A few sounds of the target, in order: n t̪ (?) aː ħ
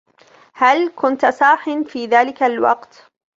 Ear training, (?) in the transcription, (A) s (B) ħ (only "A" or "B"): A